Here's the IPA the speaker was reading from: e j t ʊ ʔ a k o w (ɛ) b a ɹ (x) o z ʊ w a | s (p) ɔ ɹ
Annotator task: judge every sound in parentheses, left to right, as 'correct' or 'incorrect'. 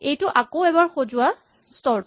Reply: correct, correct, incorrect: t

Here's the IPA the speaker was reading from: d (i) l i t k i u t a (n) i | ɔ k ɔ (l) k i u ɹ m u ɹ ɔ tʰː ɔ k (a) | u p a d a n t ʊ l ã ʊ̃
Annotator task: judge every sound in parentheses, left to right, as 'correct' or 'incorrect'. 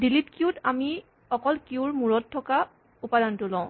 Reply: correct, incorrect: m, correct, correct

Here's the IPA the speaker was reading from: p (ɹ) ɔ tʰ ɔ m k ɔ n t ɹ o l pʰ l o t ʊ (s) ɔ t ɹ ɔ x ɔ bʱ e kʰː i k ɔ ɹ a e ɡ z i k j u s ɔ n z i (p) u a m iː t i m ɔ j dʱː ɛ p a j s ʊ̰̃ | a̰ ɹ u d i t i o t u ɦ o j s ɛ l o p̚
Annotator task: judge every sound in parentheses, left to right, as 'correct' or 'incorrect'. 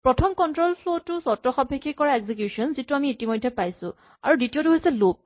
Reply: correct, correct, incorrect: t

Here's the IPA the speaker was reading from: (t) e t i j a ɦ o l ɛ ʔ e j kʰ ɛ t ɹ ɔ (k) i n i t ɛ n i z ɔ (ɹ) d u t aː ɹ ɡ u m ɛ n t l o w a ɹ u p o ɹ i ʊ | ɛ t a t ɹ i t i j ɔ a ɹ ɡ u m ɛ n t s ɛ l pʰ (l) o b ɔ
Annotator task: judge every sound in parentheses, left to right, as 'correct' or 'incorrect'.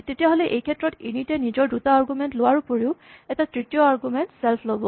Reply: correct, incorrect: t, correct, correct

